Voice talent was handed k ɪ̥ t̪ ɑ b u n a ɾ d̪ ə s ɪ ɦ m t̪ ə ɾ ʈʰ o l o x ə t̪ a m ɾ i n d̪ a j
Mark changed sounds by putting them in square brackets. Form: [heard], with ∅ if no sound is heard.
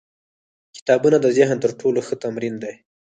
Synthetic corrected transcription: k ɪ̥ t̪ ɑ b u n a [∅] d̪ ə [z] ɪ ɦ [n] t̪ ə ɾ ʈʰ o l o x ə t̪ a m ɾ i n d̪ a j